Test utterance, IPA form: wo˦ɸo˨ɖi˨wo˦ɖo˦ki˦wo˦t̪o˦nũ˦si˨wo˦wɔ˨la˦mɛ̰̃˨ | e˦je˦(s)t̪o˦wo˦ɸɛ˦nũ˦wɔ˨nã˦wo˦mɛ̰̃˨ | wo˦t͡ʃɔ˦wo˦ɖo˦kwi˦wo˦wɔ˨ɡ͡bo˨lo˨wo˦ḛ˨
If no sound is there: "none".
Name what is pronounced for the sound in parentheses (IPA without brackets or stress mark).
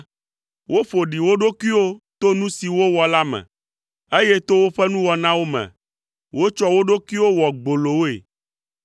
none